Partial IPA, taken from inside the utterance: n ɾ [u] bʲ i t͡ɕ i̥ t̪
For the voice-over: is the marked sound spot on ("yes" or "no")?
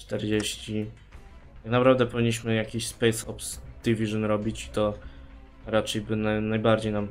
no